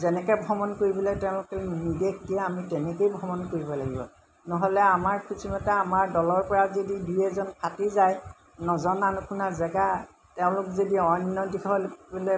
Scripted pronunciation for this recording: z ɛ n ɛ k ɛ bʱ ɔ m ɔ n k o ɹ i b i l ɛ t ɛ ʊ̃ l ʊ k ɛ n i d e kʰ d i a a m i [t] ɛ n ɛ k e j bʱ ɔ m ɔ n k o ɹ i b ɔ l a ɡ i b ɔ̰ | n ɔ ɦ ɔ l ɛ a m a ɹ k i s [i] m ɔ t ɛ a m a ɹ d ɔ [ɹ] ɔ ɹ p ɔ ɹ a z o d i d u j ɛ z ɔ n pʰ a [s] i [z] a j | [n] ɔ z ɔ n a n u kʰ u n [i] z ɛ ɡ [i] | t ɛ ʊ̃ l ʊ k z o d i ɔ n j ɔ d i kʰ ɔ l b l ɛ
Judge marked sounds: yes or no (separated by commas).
yes, yes, no, no, yes, yes, no, no